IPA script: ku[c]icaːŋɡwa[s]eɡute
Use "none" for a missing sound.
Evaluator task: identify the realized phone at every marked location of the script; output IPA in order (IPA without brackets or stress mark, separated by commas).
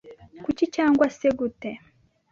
c, s